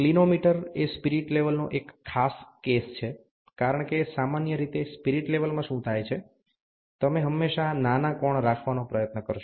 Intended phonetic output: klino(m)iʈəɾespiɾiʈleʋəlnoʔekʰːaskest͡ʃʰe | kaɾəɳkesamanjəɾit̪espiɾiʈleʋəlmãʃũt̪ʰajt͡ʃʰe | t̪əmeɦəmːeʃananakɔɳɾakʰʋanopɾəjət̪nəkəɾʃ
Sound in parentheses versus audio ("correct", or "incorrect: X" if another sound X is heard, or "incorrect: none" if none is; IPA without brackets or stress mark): correct